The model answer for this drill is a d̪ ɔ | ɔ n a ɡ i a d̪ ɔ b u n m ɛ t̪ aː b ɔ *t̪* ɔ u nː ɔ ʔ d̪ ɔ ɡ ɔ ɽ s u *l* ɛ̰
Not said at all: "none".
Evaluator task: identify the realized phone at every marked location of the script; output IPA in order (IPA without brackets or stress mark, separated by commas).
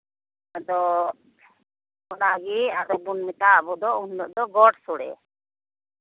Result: d̪, ɽ